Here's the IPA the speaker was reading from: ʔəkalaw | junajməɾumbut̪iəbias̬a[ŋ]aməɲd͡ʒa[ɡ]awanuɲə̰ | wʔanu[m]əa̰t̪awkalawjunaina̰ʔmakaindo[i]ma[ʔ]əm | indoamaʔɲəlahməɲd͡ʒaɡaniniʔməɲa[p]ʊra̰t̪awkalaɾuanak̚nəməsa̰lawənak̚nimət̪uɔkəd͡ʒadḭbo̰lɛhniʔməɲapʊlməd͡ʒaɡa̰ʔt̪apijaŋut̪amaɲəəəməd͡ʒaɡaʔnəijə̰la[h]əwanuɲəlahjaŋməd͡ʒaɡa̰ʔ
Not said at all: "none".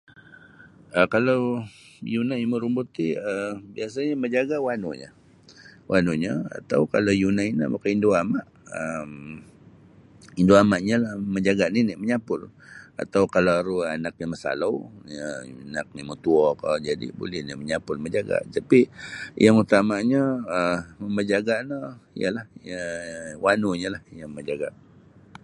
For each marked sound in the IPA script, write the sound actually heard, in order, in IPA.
ɲ, ɡ, ɲ, a, ʔ, p, h

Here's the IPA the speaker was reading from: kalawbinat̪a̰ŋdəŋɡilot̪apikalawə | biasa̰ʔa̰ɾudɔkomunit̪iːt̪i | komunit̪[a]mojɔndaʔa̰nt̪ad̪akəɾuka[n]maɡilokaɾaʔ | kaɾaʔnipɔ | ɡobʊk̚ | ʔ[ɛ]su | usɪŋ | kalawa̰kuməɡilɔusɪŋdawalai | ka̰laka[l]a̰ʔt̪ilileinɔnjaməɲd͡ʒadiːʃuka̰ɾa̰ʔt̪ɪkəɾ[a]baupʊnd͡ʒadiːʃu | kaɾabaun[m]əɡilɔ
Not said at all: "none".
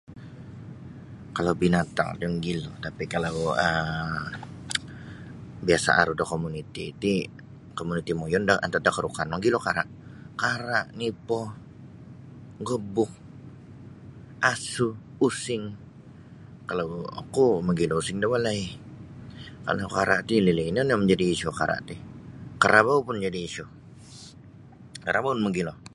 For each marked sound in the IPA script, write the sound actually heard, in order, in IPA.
i, n, a, ɾ, a, m

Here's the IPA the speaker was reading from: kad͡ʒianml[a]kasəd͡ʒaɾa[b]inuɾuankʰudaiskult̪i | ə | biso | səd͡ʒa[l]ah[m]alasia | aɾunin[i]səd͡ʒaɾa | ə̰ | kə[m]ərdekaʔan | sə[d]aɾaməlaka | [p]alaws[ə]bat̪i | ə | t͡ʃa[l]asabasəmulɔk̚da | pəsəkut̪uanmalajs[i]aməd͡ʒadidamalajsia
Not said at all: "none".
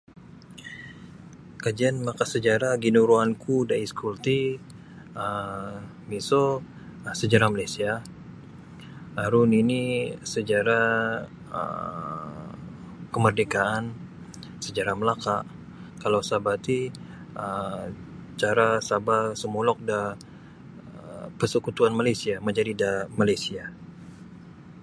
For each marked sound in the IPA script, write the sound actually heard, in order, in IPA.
a, ɡ, ɾ, m, i, m, d͡ʒ, k, a, ɾ, i

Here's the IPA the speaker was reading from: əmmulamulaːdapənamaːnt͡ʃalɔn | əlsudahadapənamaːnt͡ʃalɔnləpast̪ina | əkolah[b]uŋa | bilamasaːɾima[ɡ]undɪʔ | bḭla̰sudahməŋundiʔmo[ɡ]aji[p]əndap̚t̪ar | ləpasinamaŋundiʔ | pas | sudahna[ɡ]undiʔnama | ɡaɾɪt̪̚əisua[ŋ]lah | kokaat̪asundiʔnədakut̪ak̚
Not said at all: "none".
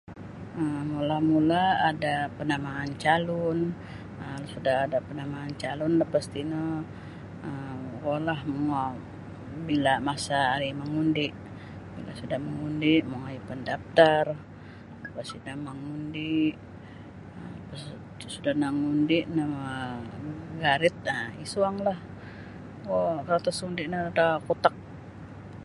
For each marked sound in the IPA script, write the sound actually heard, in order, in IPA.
m, ŋ, ŋ, p, ŋ, ŋ

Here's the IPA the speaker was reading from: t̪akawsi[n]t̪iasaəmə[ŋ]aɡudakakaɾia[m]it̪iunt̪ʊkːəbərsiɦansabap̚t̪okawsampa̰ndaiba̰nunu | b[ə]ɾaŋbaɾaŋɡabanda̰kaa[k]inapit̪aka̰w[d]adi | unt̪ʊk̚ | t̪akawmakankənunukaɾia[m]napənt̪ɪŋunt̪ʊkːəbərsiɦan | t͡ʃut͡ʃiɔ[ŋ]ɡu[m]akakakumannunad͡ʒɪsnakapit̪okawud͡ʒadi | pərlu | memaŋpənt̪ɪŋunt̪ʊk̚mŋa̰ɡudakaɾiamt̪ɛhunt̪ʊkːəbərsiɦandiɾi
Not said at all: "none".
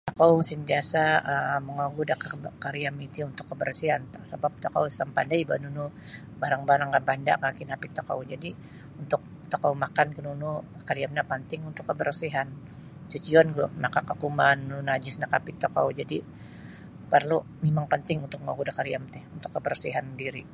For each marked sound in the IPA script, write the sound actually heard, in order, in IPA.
n, ŋ, m, a, k, d͡ʒ, m, n, n

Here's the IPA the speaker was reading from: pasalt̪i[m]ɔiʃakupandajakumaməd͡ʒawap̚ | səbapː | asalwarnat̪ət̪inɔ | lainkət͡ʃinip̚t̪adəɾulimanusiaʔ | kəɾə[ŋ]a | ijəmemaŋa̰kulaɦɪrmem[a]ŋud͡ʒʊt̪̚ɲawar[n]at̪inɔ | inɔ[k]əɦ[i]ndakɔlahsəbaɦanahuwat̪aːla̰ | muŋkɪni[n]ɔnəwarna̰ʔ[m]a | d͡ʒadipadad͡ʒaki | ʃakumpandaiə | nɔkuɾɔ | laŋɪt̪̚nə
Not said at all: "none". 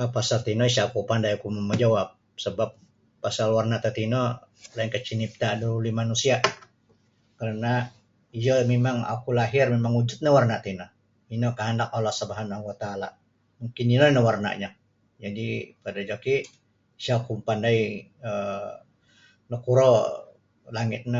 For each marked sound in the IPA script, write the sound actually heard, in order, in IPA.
n, n, a, n, k, a, n, ɲ

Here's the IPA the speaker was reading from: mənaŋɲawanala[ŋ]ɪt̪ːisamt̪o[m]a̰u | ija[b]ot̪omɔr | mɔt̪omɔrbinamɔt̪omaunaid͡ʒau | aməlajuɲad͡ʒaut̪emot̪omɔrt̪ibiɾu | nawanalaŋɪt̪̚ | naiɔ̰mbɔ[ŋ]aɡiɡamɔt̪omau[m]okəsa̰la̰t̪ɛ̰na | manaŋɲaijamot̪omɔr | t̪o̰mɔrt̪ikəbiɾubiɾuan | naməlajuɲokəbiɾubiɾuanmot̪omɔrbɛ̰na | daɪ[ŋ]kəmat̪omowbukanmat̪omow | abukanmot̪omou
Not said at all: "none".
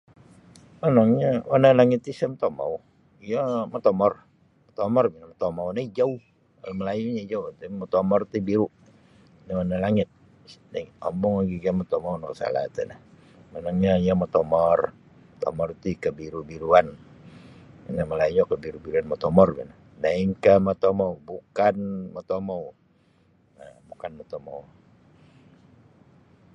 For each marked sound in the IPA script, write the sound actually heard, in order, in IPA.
ŋ, m, m, ŋ, n, ŋ

